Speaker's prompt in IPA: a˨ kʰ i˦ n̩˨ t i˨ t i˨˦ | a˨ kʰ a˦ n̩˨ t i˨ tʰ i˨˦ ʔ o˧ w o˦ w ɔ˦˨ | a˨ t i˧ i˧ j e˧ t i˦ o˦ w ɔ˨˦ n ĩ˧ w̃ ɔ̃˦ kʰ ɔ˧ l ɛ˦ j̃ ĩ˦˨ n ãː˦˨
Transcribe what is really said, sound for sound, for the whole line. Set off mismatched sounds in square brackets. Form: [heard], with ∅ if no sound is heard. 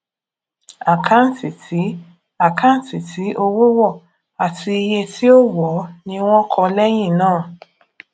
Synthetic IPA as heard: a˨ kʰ [a˦] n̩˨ t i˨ t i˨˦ | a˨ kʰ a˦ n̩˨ t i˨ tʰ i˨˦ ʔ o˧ w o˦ w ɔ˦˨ | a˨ t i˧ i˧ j e˧ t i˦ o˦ w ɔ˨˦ n ĩ˧ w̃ ɔ̃˦ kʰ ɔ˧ l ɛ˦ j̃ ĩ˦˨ n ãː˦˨